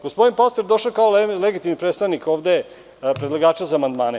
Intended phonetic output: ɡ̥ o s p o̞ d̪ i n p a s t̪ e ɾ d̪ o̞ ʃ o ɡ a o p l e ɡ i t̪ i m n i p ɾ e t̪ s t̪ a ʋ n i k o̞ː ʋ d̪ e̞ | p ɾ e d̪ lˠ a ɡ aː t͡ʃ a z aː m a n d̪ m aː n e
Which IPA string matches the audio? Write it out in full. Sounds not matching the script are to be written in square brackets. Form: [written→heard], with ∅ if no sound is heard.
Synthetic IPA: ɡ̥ o s p o̞ d̪ i n p a s t̪ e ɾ d̪ o̞ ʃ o [ɡ→k] a o [p→∅] l e ɡ i t̪ i m n i p ɾ e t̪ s t̪ a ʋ n i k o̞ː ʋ d̪ e̞ | p ɾ e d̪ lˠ a ɡ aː t͡ʃ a z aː m a n d̪ m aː n e